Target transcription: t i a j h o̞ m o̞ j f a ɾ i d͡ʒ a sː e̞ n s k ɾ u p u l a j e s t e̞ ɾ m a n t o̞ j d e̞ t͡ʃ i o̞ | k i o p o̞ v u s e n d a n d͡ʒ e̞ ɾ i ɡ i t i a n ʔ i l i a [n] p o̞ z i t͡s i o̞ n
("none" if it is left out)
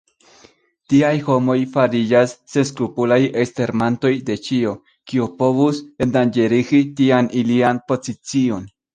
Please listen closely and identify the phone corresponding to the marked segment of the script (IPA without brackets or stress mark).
n